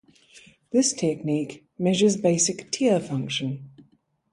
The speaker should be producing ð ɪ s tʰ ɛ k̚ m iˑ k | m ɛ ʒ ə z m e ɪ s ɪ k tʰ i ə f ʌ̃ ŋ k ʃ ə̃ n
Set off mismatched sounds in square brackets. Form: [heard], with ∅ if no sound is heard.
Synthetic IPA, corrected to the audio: ð ɪ s tʰ ɛ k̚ [n] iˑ k | m ɛ ʒ ə z [b] e ɪ s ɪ k tʰ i ə f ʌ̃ ŋ k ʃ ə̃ n